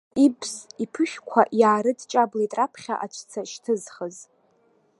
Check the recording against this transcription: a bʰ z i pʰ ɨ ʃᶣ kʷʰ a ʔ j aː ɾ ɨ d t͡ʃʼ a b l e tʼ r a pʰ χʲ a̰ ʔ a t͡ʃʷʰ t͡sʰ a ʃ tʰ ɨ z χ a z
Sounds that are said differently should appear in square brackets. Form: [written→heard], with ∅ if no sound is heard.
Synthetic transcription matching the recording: [a→i] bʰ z i pʰ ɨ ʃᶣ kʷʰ a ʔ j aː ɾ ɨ d t͡ʃʼ a b l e tʼ r a pʰ χʲ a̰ ʔ a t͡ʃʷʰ t͡sʰ a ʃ tʰ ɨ z χ [a→ə] z

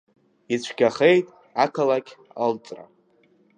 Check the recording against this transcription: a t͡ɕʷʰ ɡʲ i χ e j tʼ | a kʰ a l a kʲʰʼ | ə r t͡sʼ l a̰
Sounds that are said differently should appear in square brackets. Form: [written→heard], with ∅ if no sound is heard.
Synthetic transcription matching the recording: [a→i] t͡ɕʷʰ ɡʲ [i→a] χ e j tʼ | a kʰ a l a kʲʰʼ | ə [r→l] t͡sʼ [l→r] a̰

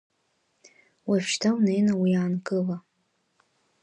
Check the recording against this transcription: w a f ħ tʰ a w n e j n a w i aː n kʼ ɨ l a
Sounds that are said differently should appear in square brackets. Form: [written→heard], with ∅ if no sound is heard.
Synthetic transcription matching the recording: w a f [ħ→ʃ] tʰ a w n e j n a w i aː n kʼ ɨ l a

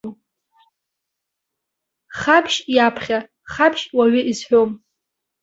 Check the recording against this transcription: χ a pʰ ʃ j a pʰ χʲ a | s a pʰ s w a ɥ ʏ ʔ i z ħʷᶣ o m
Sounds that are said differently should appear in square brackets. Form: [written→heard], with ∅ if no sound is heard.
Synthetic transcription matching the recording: χ a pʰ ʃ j a pʰ χʲ a | [s→χ] a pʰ [s→ʃ] w a ɥ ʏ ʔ i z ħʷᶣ o m

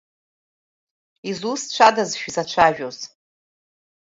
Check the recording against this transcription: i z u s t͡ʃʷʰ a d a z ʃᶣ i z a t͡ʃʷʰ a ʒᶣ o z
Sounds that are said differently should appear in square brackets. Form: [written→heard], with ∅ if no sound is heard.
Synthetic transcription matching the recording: i z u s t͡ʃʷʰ a d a z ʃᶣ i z a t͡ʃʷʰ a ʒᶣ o z

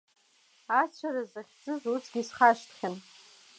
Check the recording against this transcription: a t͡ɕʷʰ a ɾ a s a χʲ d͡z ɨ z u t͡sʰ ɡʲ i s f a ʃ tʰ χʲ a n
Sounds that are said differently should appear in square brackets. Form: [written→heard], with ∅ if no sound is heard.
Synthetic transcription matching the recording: a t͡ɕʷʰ a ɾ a [s→z] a χʲ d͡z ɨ z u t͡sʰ ɡʲ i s [f→χ] a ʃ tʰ χʲ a n

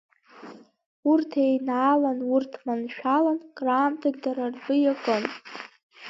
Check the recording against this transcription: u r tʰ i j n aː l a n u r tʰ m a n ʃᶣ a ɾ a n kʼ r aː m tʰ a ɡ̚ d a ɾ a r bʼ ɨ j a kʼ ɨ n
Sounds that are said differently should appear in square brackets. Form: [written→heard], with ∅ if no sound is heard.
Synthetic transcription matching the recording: u r tʰ [i→e] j n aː l a n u r tʰ m a n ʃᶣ a [ɾ→l] a n kʼ r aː m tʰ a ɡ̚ d a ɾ a r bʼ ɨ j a kʼ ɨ n

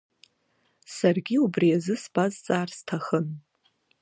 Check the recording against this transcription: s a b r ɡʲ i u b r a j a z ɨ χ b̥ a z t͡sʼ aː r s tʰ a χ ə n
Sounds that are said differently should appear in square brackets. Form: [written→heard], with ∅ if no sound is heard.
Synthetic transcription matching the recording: s a [b→∅] r ɡʲ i u b r [a→i] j a z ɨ [χ→s] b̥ a z t͡sʼ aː r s tʰ a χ ə n

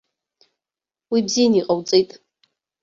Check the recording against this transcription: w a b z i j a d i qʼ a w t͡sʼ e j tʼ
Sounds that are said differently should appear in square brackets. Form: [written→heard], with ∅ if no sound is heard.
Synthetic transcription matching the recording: w [a→i] b z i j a [d→n] i qʼ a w t͡sʼ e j tʼ

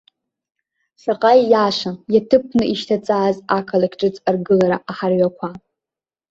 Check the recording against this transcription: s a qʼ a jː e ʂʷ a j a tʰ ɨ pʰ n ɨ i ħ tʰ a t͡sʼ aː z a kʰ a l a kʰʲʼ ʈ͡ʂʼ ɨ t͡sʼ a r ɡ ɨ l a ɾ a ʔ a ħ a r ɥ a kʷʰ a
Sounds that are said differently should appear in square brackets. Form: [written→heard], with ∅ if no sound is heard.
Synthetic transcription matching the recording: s a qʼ a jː [e→a] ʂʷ a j a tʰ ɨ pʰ n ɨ i [ħ→ʃ] tʰ a t͡sʼ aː z a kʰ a l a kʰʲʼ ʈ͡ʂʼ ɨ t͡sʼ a r ɡ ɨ l a ɾ a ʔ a ħ a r ɥ a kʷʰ a

